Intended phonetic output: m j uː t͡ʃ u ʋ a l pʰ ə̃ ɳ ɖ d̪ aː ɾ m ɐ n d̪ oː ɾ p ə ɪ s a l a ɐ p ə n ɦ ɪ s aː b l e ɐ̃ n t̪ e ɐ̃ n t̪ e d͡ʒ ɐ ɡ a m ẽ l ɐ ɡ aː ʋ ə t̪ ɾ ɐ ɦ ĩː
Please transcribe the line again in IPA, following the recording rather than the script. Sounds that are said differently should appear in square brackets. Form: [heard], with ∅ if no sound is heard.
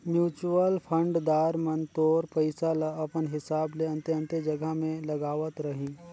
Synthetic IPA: m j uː t͡ʃ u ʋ [ə] l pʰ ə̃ ɳ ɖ d̪ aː ɾ m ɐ n [t̪] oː ɾ p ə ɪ s a l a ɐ p ə n ɦ ɪ s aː b l e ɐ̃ n t̪ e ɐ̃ n t̪ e d͡ʒ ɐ ɡ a m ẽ l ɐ ɡ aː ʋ ə t̪ ɾ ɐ ɦ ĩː